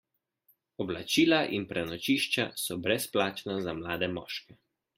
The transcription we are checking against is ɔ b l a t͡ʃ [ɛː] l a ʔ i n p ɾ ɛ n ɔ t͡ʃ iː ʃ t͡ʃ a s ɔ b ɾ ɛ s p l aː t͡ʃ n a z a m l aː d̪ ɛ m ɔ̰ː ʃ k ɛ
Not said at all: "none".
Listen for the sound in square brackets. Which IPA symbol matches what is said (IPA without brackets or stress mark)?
iː